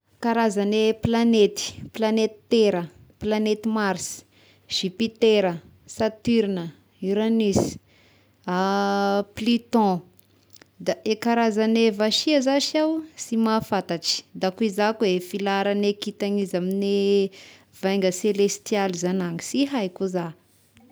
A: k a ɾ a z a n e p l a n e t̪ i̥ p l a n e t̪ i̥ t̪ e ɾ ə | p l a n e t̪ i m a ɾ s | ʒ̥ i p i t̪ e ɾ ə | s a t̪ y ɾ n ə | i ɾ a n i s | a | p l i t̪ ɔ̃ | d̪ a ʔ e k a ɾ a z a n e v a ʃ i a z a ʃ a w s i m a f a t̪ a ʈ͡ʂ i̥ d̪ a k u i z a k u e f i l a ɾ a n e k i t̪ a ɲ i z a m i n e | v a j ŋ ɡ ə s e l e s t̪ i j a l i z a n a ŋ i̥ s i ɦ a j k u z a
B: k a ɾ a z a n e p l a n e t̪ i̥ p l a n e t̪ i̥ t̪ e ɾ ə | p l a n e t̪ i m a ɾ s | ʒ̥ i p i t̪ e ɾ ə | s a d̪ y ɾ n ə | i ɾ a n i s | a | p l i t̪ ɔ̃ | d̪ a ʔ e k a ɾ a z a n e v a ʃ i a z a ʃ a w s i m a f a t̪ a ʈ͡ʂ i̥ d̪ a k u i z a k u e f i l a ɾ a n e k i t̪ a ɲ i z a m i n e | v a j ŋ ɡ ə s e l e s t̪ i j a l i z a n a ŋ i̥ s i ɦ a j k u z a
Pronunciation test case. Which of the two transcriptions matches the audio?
A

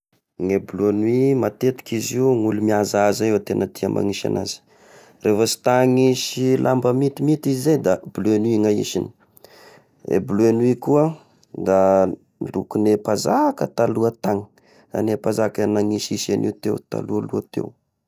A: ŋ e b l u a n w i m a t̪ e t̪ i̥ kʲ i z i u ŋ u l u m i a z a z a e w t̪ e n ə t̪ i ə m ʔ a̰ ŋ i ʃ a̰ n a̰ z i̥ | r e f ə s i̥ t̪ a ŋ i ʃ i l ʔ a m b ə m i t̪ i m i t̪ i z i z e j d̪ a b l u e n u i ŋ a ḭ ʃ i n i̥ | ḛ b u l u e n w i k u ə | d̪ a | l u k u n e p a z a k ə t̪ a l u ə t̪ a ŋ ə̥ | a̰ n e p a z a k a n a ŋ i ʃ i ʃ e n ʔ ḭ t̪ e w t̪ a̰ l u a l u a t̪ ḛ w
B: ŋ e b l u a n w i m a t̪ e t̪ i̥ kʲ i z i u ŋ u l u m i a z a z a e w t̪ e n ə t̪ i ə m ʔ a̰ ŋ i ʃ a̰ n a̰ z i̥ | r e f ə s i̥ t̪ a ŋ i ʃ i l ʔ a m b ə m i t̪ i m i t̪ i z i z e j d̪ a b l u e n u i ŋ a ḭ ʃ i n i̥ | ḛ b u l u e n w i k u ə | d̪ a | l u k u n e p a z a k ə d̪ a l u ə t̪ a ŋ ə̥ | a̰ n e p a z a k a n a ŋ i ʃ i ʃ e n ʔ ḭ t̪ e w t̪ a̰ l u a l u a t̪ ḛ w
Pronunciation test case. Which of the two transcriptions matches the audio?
A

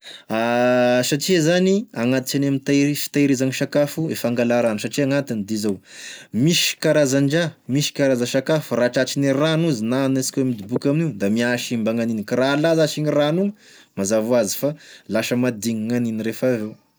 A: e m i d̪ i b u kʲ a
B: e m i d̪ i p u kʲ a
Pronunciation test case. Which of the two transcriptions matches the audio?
A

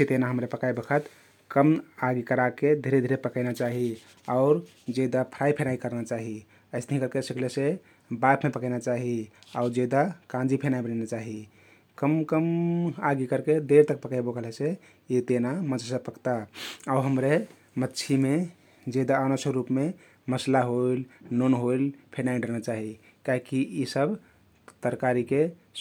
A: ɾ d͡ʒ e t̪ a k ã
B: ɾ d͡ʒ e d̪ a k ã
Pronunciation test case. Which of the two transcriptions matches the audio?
B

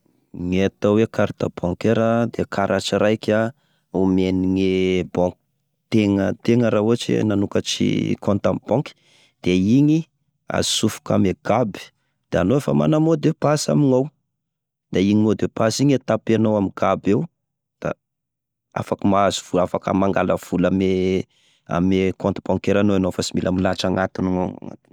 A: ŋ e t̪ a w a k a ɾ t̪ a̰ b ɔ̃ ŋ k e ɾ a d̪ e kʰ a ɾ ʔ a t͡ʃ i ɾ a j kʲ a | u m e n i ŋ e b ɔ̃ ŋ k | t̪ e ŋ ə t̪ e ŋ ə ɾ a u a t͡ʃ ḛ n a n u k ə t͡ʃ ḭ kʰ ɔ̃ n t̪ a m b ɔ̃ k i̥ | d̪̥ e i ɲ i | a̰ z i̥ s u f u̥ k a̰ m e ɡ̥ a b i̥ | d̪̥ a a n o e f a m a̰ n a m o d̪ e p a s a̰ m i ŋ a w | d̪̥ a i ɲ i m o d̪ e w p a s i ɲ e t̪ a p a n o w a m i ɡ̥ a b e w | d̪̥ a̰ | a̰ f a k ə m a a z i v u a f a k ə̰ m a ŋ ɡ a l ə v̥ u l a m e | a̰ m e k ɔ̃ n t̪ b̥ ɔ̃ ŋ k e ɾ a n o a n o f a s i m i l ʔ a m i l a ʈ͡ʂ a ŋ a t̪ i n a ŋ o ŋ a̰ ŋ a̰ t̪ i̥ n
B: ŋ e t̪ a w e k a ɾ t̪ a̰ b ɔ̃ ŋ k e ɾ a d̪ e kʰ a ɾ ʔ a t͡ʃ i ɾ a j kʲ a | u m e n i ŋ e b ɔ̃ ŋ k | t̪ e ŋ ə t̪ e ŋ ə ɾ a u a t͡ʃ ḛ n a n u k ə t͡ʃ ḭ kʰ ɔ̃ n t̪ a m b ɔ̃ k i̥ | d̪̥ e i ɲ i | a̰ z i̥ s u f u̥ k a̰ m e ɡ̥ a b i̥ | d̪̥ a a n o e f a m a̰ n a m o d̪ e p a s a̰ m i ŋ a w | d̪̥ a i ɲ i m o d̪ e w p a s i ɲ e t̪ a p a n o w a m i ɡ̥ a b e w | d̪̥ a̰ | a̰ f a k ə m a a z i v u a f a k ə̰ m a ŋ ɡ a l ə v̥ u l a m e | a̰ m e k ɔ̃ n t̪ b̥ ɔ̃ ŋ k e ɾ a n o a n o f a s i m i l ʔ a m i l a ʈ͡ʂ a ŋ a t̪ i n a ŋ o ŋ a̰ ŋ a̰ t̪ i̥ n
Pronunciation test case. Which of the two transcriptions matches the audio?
B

